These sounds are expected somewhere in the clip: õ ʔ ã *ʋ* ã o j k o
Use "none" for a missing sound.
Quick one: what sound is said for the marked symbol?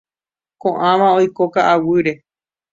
ʋ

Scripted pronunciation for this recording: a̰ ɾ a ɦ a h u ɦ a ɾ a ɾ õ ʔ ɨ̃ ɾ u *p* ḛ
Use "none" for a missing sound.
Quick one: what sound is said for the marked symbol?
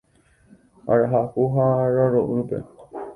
p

